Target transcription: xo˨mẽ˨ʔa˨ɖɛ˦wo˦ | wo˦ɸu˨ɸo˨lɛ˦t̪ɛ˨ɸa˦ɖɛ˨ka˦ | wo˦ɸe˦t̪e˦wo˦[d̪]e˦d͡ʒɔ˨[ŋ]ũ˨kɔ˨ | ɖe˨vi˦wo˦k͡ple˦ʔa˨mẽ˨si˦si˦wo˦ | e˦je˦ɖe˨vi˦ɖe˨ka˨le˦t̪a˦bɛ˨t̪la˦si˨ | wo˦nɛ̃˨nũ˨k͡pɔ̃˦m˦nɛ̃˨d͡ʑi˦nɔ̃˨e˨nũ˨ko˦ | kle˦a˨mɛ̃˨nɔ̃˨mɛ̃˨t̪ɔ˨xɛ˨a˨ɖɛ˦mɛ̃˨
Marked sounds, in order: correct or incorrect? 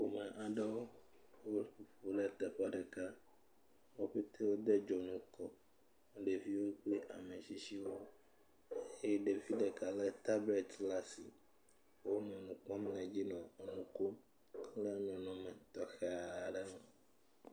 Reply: correct, incorrect

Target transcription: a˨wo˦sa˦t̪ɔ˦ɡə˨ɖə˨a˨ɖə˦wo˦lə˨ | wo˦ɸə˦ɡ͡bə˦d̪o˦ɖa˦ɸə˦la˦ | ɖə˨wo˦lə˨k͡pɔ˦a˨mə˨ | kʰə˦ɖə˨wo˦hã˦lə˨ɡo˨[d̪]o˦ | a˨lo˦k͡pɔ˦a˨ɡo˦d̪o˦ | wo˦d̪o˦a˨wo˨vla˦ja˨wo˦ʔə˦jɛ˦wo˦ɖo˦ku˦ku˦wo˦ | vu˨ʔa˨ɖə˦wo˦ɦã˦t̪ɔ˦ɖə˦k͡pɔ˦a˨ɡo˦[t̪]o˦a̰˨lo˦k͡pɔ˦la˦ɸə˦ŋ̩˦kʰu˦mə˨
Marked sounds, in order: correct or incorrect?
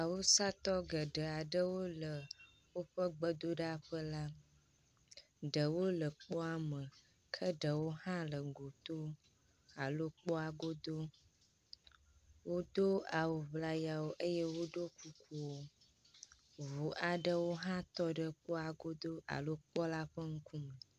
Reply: incorrect, incorrect

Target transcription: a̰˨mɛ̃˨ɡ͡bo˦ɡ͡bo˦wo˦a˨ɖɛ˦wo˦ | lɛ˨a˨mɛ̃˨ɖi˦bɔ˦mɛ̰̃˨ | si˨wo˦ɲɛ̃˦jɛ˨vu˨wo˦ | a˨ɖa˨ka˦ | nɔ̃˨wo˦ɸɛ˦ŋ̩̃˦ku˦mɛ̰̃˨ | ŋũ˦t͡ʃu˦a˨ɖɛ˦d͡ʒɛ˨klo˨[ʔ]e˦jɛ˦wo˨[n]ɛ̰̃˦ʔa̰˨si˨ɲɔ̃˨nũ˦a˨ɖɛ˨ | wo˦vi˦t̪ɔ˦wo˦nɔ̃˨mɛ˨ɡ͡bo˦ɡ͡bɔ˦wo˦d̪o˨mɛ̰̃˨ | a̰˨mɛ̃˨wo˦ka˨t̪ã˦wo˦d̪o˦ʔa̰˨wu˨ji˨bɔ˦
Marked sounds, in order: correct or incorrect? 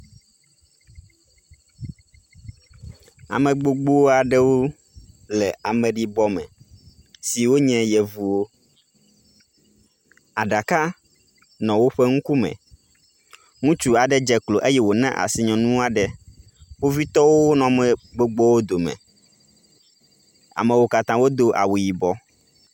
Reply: correct, correct

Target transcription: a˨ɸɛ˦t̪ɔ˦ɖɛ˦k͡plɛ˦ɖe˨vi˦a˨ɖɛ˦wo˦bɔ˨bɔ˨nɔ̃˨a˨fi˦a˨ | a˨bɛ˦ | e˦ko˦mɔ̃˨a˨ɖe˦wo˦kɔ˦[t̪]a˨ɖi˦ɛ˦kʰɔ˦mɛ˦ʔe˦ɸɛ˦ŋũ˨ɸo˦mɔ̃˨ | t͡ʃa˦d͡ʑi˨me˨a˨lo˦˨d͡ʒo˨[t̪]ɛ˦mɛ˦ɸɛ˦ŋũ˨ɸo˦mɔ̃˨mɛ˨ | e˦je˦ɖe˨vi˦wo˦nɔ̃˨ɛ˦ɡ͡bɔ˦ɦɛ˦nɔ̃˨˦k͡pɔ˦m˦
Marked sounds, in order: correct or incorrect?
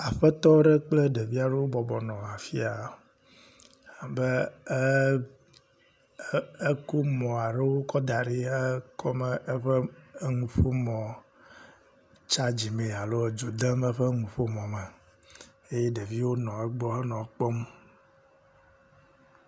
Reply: incorrect, incorrect

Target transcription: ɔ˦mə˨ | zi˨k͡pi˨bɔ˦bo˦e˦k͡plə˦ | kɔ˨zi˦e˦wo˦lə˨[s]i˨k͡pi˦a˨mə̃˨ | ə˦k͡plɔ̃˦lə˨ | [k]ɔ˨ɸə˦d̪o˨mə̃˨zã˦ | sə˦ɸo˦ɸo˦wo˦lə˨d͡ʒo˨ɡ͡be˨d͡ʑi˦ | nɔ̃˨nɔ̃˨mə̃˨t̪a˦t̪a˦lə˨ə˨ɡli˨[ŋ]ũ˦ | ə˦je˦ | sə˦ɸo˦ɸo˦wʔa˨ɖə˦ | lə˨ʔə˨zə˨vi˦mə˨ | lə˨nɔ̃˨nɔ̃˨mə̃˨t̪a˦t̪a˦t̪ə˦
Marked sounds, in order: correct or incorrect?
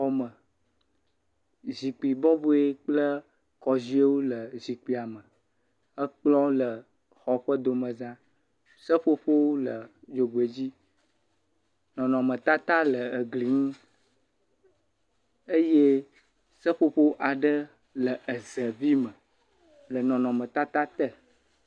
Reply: incorrect, incorrect, correct

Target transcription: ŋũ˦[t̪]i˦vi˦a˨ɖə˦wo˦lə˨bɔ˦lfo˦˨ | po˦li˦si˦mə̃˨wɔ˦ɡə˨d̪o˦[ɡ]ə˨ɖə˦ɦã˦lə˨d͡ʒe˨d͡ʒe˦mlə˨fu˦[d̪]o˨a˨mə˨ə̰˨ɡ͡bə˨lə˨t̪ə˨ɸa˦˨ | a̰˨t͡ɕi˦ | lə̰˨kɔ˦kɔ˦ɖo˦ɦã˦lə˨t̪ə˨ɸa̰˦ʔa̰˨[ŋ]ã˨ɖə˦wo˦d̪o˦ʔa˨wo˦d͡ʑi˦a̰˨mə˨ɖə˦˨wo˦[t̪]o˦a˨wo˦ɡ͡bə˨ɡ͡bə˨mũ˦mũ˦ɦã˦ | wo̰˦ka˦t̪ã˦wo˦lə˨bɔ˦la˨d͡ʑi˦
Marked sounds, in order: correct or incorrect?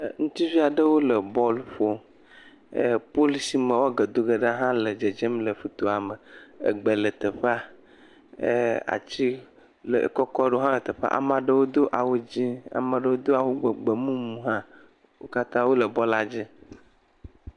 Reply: correct, correct, incorrect, incorrect, incorrect

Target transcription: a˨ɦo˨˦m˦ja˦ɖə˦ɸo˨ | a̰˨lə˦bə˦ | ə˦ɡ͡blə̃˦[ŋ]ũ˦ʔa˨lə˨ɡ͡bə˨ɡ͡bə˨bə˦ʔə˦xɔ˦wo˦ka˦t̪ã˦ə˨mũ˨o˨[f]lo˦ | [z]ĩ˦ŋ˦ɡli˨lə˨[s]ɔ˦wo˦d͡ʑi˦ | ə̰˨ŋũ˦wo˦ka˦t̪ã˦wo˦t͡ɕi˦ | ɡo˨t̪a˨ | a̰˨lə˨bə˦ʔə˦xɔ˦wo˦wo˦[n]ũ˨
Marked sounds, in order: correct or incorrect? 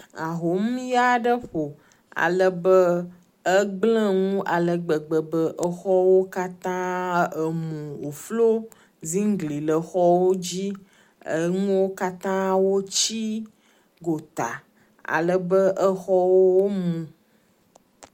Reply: correct, correct, correct, incorrect, incorrect

